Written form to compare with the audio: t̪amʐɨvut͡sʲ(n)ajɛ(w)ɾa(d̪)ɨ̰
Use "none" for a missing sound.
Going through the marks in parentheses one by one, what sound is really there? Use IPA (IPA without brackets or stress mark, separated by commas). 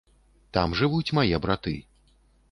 m, b, t̪